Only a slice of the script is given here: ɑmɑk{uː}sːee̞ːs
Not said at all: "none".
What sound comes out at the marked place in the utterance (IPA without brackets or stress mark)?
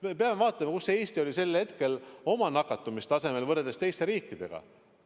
u